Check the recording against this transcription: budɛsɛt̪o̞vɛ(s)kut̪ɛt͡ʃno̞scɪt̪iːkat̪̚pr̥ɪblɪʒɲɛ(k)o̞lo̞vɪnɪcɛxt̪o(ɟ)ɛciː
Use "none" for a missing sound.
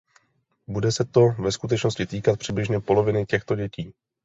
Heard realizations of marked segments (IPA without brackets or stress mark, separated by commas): s, p, ɟ